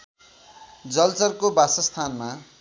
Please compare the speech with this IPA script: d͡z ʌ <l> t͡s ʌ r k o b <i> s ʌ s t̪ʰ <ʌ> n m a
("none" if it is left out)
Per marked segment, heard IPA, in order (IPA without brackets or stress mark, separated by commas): l, a, a